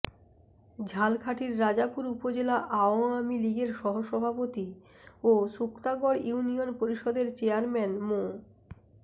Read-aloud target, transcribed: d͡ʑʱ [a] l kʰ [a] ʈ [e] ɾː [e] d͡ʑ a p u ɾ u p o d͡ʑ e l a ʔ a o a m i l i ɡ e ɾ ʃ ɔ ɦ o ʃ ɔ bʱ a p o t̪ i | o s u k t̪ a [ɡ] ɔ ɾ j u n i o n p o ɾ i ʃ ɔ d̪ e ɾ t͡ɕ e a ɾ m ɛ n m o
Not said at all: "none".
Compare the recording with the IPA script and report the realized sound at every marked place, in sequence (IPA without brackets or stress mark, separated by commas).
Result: a, a, i, a, ɡ